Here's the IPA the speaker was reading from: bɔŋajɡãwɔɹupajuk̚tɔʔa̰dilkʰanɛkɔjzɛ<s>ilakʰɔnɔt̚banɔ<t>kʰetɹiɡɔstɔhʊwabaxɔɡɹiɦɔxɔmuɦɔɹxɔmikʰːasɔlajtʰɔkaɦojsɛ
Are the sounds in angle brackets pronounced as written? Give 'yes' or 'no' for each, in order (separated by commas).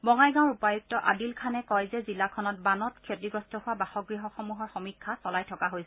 no, yes